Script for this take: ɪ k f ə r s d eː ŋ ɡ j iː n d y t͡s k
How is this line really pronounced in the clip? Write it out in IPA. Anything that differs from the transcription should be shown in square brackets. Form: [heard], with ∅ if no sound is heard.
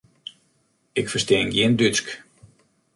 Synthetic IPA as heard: ɪ k f ə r s [t] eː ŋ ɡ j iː n d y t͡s k